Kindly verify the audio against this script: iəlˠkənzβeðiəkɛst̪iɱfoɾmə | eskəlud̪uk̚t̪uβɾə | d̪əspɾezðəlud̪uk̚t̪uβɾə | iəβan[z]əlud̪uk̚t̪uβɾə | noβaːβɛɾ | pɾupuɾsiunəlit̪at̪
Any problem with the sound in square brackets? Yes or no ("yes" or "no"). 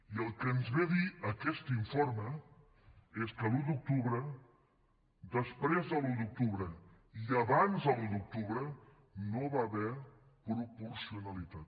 no